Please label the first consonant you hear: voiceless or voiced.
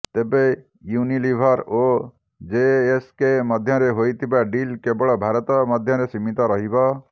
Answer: voiceless